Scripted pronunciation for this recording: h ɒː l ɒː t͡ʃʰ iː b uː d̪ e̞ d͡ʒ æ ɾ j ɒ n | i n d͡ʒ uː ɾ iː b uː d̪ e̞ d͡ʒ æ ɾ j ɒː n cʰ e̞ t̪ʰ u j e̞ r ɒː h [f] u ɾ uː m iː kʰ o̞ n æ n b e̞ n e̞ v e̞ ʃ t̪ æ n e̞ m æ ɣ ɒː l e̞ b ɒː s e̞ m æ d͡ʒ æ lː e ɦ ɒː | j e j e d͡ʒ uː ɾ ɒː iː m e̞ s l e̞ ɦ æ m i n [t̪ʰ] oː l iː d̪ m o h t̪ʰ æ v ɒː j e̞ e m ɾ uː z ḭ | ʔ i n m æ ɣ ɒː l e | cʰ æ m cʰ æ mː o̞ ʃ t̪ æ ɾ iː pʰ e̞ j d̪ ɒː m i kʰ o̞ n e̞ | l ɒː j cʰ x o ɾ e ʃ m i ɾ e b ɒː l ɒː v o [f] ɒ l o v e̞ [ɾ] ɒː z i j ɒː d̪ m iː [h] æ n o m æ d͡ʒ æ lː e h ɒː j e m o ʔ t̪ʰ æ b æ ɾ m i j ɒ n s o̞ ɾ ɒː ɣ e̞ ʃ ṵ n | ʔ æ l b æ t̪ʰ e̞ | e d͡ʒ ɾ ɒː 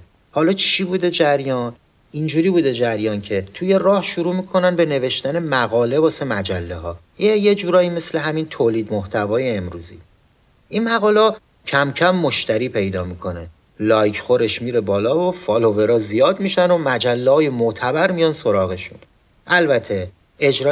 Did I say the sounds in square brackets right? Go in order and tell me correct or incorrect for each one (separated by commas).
incorrect, correct, correct, correct, incorrect